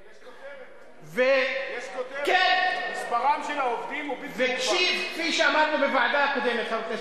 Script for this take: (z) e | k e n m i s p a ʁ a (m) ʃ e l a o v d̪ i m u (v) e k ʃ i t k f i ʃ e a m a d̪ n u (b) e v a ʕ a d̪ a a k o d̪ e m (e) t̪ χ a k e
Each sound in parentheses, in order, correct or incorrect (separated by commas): incorrect, correct, correct, correct, correct